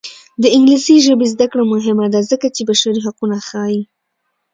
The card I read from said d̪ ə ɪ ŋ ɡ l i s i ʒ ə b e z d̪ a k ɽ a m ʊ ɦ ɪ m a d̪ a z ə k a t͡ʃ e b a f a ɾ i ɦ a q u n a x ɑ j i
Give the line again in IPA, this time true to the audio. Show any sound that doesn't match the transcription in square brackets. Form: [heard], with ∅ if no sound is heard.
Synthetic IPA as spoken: d̪ ə ɪ ŋ ɡ l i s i ʒ ə b e z d̪ a k ɽ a m ʊ ɦ ɪ m a d̪ a z ə k a t͡ʃ e b a [ʃ] a ɾ i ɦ a q u n a x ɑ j i

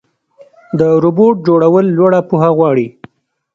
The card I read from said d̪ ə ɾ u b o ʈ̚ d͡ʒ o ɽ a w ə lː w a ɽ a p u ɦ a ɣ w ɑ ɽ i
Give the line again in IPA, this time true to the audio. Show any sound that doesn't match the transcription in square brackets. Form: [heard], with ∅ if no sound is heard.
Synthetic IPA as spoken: d̪ ə ɾ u b o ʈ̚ d͡ʒ o ɽ a w ə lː w a ɽ a p u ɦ a ɣ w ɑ ɽ i

